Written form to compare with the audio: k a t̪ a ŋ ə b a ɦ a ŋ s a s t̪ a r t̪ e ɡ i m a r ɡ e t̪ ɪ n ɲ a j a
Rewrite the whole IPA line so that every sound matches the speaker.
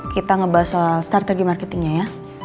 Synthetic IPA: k i t̪ a ŋ ə b a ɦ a s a s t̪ a r t̪ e ɡ i m a r k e t̪ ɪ ŋ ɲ a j a